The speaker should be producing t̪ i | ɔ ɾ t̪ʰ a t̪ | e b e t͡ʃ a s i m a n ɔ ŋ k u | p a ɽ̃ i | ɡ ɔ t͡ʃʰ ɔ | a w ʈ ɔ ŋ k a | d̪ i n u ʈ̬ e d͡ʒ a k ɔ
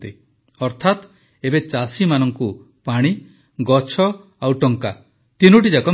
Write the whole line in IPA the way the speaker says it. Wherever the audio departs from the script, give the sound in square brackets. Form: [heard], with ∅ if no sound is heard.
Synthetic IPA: t̪ i | ɔ ɾ t̪ʰ a t̪ | e b e t͡ʃ a s i m a n ɔ ŋ k u | p a ɽ̃ i | ɡ ɔ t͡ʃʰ ɔ | a w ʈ ɔ ŋ k a | [t̪] i n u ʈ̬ [i] d͡ʒ a k ɔ